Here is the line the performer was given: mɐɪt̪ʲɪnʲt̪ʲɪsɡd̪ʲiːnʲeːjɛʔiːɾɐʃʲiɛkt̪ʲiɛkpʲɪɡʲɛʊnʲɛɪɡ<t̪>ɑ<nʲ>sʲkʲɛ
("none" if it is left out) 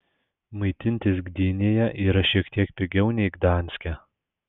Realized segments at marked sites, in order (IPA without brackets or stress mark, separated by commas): d̪, nʲ